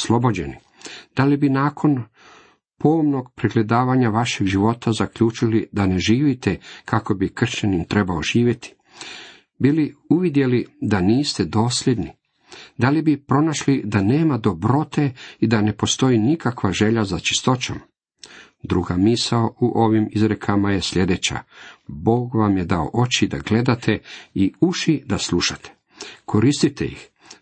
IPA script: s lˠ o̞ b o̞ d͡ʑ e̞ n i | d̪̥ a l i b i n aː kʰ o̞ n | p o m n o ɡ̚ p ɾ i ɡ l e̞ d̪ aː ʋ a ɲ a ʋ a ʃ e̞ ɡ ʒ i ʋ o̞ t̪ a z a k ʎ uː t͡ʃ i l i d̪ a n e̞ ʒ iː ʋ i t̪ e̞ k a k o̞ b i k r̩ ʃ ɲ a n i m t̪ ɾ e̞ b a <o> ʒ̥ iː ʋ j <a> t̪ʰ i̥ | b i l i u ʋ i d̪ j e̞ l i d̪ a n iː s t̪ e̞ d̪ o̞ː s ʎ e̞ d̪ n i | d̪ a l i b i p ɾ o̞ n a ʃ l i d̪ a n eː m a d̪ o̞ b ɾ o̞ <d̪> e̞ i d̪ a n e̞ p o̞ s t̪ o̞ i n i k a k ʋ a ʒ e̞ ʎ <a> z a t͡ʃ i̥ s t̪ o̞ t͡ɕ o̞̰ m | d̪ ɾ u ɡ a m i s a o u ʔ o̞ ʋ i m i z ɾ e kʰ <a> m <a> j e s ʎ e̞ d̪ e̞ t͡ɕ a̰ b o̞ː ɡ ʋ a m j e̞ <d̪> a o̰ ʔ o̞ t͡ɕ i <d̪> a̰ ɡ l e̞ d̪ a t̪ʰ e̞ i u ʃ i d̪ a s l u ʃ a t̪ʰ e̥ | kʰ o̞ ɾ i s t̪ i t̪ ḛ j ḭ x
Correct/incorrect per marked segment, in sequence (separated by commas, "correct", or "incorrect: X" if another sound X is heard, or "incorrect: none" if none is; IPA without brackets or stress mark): correct, incorrect: e, incorrect: t̪, correct, correct, correct, correct, correct